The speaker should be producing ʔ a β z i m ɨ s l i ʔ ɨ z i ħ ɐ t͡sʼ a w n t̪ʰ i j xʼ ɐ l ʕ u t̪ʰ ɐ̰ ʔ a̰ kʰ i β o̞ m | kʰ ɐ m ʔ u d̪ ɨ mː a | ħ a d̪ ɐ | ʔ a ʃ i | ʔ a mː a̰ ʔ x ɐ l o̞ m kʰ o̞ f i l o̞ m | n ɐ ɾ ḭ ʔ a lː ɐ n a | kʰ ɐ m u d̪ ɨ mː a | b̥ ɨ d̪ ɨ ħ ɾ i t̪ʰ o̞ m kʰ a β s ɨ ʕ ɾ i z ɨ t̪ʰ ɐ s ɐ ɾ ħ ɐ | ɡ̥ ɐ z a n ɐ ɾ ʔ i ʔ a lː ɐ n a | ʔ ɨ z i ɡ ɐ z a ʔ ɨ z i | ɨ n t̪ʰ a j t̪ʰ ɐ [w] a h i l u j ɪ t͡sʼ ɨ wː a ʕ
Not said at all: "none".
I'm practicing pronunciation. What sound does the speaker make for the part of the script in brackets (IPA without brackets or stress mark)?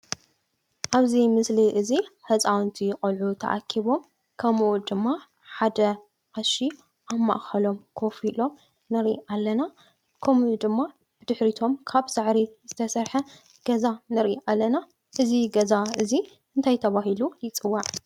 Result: β